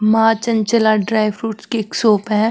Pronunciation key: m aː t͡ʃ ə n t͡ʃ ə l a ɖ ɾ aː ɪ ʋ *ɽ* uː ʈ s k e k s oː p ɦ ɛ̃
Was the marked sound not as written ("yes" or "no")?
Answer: yes